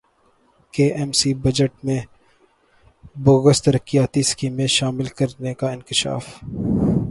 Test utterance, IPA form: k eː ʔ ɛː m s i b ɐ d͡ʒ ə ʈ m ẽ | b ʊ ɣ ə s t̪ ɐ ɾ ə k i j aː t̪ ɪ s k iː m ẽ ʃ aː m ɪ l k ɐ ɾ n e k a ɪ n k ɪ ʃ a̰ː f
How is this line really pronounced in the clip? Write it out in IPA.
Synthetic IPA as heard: k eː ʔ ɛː m s i b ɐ d͡ʒ ə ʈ m ẽ | b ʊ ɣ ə s t̪ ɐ ɾ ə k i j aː t̪ i s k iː m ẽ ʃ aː m ɪ l k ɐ ɾ n e k a ɪ n k ɪ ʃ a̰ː f